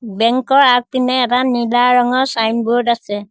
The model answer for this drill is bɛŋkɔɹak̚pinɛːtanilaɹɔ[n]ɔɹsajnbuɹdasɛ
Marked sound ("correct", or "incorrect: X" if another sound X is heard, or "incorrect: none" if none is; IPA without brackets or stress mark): incorrect: ŋ